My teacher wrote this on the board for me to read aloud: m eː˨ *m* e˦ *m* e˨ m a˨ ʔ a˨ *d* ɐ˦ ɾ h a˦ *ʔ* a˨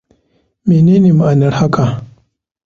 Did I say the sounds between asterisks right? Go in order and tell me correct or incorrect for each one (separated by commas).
incorrect, incorrect, incorrect, incorrect